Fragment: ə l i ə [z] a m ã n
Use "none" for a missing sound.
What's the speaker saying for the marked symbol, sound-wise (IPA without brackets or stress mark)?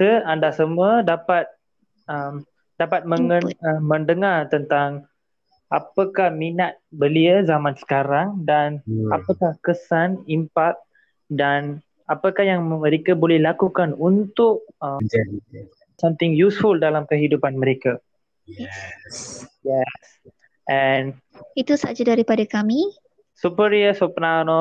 z